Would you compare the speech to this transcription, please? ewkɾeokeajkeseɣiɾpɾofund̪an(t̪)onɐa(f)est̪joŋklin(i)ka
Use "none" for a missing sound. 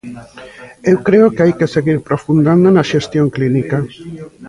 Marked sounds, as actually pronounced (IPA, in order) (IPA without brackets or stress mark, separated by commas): d̪, ʃ, i